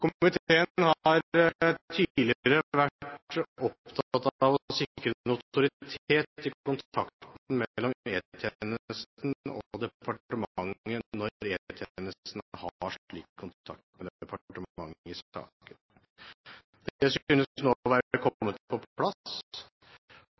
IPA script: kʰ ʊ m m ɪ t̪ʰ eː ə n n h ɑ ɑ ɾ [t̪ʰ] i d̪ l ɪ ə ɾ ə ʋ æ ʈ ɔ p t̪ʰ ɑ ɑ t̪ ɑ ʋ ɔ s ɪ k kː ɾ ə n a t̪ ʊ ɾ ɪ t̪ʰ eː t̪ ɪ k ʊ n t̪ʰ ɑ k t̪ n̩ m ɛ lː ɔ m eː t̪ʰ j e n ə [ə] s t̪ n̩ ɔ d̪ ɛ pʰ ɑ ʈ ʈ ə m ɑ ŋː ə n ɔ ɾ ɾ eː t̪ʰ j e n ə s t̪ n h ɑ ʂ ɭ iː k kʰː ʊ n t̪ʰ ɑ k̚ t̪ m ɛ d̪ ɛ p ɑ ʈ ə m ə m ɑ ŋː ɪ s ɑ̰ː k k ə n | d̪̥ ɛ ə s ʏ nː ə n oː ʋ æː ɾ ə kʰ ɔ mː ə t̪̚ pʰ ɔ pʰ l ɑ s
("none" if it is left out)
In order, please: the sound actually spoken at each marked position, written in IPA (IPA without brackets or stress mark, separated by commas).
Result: t̪ʰ, ə